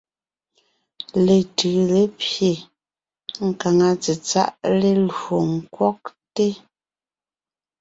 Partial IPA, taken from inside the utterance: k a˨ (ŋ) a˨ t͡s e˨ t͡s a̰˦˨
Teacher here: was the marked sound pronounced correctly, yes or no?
yes